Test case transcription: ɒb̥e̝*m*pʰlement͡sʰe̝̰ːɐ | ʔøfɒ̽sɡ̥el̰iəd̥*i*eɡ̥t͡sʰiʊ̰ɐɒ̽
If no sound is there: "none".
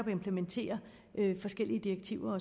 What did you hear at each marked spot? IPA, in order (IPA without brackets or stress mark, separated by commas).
m, i